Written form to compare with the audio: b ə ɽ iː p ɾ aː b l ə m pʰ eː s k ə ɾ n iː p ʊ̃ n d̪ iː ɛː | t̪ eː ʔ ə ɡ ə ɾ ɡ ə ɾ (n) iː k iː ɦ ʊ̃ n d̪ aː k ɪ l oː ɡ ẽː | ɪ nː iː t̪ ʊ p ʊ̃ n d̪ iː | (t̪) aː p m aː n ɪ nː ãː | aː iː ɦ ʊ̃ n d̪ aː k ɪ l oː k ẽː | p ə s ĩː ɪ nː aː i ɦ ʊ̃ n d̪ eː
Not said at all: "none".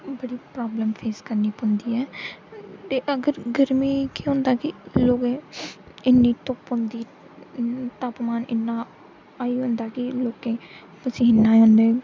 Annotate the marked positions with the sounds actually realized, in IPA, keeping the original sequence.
m, t̪

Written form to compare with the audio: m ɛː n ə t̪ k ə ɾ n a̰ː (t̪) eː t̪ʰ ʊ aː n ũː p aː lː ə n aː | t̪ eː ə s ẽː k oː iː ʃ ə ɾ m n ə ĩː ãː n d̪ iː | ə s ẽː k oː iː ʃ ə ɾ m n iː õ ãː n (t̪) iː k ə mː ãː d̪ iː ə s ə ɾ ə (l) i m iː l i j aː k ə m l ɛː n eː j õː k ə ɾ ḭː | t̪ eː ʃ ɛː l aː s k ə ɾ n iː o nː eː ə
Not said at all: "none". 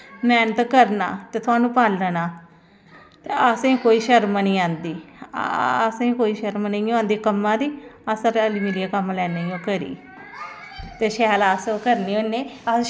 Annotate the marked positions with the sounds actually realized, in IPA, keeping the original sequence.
t̪, d̪, l

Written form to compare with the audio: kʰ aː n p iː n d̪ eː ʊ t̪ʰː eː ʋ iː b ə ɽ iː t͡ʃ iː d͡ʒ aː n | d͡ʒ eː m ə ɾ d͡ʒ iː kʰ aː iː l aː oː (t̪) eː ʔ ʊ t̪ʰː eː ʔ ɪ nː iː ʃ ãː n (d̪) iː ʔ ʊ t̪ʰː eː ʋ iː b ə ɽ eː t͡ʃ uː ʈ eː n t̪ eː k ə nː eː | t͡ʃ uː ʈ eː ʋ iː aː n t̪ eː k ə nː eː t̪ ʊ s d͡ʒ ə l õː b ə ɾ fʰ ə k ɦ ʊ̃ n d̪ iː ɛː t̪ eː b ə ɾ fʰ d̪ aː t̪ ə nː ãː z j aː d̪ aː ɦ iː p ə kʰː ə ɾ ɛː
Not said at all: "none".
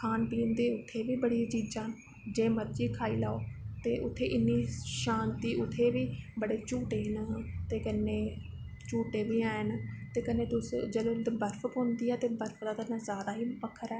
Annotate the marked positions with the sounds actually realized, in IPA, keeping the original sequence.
t̪, t̪

